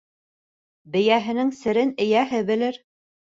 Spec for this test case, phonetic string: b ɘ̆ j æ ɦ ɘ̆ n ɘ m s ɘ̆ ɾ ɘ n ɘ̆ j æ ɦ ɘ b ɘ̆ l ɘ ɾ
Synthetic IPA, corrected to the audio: b ɘ̆ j æ ɦ ɘ̆ n ɘ ŋ s ɘ̆ ɾ ɘ n ɘ̆ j æ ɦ ɘ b ɘ̆ l ɘ ɾ